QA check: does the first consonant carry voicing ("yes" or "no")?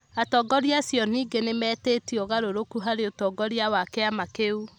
no